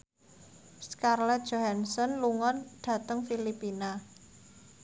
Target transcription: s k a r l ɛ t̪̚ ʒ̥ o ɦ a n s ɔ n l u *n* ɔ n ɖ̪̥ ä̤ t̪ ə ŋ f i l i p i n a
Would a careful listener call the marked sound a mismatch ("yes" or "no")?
yes